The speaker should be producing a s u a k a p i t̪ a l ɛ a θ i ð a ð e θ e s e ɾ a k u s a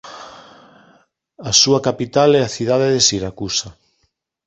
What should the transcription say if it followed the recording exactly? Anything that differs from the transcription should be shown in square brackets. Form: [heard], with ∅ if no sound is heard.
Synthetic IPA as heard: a s u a k a p i t̪ a l ɛ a θ i ð a ð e [ð] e s [i] ɾ a k u s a